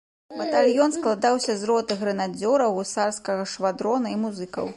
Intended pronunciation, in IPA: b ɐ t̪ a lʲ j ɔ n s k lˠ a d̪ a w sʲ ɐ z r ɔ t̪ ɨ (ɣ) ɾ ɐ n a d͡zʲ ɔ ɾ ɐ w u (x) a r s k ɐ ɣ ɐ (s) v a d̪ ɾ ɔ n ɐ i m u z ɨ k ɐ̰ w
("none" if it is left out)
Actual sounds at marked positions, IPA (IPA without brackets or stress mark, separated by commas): ɣ, s, ʂ